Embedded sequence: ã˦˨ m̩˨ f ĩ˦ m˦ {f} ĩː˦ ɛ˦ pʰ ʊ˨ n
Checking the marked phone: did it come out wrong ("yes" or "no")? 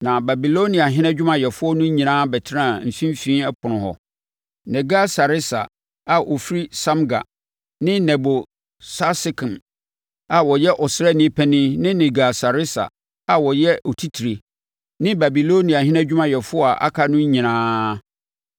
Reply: no